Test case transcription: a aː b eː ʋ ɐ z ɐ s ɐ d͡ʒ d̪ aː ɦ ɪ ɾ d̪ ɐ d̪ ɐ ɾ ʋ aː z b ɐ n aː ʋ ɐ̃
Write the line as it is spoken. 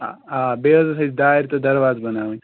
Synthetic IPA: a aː b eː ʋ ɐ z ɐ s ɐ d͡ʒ d̪ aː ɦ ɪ ɾ t̪ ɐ d̪ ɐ ɾ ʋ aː z b ɐ n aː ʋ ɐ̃